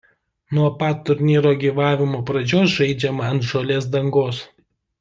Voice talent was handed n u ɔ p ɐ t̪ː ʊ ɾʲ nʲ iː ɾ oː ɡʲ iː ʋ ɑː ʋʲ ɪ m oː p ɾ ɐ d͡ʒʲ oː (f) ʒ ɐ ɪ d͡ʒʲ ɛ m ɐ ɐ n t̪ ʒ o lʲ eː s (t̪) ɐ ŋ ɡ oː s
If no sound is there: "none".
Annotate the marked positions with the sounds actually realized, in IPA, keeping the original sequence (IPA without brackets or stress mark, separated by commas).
s, d̪